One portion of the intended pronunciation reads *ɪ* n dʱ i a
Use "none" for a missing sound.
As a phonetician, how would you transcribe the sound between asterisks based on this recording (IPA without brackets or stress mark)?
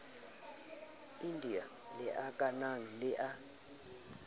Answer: i